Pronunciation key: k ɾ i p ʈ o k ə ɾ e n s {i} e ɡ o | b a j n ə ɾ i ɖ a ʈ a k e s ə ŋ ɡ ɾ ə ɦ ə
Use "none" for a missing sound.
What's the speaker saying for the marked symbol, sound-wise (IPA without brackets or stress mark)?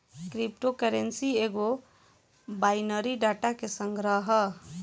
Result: i